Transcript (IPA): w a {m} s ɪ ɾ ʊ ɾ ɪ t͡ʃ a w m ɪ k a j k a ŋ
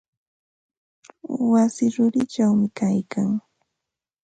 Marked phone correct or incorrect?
incorrect